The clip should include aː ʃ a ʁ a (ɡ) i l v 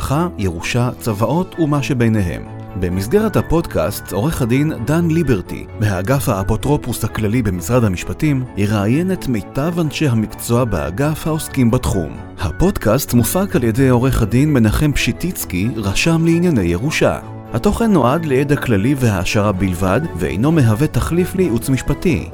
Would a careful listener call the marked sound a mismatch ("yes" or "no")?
yes